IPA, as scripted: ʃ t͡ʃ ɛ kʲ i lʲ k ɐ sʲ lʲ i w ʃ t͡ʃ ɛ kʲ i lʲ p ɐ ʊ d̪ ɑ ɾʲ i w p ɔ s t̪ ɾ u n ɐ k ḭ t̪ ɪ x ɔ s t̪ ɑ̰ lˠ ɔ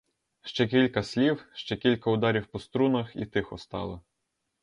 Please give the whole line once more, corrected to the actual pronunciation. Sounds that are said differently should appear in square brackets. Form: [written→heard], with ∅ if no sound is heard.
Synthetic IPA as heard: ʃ t͡ʃ ɛ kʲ i lʲ k ɐ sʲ lʲ i w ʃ t͡ʃ ɛ kʲ i lʲ [p→k] ɐ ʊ d̪ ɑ ɾʲ i w p ɔ s t̪ ɾ u n ɐ [k→x] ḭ t̪ ɪ x ɔ s t̪ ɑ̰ lˠ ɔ